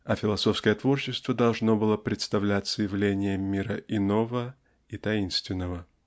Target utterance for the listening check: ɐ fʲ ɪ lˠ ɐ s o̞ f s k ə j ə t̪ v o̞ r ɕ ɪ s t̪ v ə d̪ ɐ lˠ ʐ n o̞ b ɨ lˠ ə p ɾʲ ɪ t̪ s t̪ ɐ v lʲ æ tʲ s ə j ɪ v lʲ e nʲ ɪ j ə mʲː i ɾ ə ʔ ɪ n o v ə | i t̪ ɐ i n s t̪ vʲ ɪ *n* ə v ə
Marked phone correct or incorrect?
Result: incorrect